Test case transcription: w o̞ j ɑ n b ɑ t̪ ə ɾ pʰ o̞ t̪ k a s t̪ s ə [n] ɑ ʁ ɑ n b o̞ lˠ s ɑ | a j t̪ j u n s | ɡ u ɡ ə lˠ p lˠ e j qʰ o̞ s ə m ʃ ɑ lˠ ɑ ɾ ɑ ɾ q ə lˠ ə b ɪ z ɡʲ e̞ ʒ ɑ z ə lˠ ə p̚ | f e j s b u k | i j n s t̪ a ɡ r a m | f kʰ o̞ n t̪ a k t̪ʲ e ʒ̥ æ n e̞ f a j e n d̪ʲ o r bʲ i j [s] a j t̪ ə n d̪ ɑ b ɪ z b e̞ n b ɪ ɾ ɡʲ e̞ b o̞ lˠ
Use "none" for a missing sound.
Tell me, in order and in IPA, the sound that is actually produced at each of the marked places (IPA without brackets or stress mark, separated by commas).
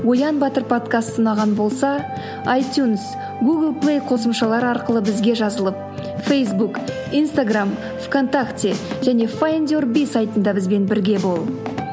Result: n, s